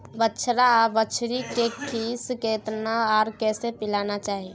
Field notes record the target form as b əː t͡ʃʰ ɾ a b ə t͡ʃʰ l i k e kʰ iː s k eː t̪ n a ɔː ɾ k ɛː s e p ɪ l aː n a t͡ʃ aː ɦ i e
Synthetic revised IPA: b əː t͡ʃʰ ɾ a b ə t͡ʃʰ ɾ i k e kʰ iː s k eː t̪ n a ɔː ɾ k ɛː s e p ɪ l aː n a t͡ʃ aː ɦ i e